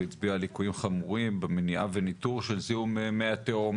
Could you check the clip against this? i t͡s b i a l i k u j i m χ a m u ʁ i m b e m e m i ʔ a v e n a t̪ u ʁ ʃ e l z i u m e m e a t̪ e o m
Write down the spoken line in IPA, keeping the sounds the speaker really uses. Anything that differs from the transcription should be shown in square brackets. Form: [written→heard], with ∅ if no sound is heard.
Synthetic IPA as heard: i t͡s b i a l i k u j i m χ a m u ʁ i m b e m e [m→n] i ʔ a v e n [a→i] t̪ u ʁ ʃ e l z i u m e m e a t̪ e o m